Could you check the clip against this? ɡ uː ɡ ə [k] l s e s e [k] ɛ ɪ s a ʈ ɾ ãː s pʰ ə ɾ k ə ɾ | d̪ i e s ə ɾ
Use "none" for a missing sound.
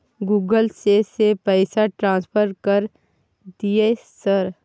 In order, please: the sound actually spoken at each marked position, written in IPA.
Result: none, p

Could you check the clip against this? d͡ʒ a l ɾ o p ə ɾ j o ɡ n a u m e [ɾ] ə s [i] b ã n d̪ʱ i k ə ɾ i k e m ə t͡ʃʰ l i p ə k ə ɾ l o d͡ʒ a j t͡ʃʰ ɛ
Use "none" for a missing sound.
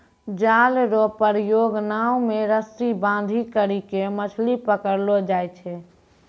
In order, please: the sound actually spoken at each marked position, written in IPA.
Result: ɾ, i

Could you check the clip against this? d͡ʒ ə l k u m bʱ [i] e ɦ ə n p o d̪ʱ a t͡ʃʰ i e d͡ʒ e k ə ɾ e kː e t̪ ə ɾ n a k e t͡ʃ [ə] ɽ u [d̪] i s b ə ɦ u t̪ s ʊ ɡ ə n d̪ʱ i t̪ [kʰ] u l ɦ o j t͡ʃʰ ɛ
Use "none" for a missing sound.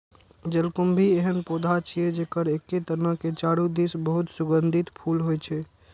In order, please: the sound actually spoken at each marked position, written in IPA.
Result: i, a, d̪, pʰ

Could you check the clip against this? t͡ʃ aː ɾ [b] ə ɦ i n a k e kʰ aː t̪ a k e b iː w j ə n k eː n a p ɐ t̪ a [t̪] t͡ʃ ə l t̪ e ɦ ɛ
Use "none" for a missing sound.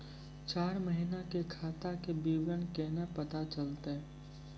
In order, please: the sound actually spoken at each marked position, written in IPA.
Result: m, none

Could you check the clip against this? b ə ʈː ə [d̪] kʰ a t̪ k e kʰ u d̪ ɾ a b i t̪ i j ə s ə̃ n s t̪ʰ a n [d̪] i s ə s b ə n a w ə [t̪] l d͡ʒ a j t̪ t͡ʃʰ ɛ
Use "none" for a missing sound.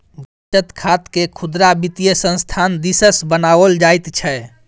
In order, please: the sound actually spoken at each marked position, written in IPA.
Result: t̪, d̪, none

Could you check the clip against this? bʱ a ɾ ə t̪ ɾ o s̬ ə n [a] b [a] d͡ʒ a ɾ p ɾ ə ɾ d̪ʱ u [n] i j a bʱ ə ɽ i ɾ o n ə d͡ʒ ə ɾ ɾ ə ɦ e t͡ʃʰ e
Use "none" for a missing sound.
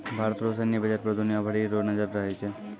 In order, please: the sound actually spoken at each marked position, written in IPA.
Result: i, ə, n

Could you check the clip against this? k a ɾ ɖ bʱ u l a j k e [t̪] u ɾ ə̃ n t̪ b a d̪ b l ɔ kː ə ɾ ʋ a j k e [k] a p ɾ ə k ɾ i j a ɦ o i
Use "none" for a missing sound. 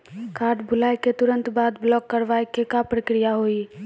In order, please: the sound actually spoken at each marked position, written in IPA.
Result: t̪, k

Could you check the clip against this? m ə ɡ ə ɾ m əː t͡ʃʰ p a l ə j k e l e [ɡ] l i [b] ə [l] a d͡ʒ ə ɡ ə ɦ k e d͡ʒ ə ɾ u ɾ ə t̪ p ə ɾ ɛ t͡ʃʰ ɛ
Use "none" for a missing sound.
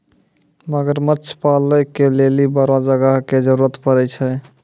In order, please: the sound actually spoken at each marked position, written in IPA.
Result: none, b, ɾ

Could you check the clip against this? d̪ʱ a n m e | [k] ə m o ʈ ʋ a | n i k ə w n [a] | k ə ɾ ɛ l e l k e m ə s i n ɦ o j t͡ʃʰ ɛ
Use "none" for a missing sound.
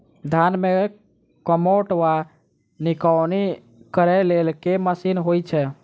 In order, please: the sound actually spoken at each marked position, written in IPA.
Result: k, i

